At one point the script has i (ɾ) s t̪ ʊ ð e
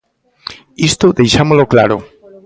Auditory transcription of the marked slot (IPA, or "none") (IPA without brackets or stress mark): none